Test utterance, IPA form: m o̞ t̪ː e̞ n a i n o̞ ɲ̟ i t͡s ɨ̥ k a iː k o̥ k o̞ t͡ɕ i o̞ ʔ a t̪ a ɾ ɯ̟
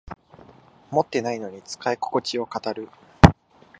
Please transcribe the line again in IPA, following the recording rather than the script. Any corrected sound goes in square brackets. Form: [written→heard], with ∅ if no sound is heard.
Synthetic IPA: m o̞ t̪ː e̞ n a i n o̞ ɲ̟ i t͡s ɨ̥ k a [iː→i] k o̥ k o̞ t͡ɕ i o̞ [ʔ→k] a t̪ a ɾ ɯ̟

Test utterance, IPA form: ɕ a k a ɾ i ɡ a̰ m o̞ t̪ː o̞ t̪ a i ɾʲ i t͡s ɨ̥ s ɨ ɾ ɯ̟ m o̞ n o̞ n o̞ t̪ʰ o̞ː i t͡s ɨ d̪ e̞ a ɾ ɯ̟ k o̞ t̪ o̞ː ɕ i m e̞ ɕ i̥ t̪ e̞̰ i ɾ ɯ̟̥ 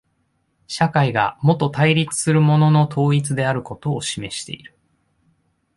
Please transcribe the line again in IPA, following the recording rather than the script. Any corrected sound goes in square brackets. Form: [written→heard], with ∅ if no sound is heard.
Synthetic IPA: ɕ a k a [ɾ→∅] i ɡ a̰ m o̞ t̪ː o̞ t̪ a i ɾʲ i t͡s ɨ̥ s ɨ ɾ ɯ̟ m o̞ n o̞ n o̞ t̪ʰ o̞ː i t͡s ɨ d̪ e̞ a ɾ ɯ̟ k o̞ t̪ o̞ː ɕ i m e̞ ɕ i̥ t̪ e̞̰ i ɾ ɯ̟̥

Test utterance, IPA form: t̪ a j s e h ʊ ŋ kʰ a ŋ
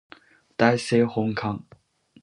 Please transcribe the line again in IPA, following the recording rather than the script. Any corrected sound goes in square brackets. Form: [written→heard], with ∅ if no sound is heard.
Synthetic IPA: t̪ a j s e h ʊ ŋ kʰ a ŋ

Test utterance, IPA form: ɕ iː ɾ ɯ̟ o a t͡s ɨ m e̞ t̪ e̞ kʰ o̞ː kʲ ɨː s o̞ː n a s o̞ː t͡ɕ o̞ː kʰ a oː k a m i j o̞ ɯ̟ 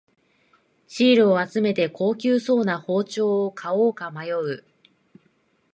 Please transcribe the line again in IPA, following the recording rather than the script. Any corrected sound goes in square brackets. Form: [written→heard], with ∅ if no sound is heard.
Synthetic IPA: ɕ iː ɾ ɯ̟ o a t͡s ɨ m e̞ t̪ e̞ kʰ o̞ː kʲ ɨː s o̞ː n a [s→h] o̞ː t͡ɕ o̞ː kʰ a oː k a m [i→a] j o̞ ɯ̟

